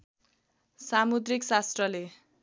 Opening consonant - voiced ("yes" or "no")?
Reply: no